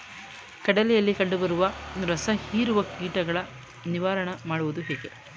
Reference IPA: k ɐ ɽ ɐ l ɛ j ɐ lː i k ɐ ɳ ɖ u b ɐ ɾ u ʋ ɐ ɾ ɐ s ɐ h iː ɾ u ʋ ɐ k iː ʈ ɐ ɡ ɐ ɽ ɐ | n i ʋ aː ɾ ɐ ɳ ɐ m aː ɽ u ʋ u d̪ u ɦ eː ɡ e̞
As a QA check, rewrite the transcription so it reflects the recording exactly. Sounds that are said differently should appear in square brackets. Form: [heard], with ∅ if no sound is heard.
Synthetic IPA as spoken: k ɐ ɽ ɐ l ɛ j ɐ lː i k ɐ ɳ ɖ u b ɐ ɾ u ʋ ɐ ɾ ɐ s ɐ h iː ɾ u ʋ ɐ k iː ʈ ɐ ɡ ɐ [ɭ] ɐ | n i ʋ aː ɾ ɐ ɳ ɐ m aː ɽ u ʋ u d̪ u ɦ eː ɡ e̞